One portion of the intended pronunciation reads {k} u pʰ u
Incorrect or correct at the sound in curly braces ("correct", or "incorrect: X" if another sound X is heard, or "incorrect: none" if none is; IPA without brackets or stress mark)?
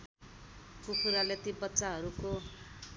correct